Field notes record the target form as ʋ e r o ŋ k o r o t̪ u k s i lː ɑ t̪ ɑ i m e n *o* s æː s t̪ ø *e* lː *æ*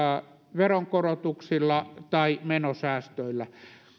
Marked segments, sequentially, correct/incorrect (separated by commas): correct, incorrect, correct